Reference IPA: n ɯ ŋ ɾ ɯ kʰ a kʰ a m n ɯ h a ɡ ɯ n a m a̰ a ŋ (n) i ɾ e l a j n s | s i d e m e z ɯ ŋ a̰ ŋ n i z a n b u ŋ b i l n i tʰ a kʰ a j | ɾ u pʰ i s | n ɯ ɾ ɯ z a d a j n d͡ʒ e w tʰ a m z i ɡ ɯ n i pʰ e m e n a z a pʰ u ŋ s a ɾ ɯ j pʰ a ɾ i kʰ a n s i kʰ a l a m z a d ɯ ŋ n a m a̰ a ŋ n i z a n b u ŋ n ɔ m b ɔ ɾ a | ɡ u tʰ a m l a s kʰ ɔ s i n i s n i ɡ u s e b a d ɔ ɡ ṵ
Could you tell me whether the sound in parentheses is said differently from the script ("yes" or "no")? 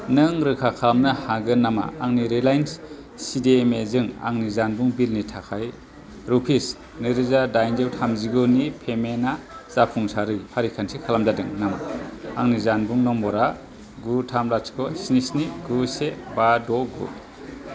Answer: no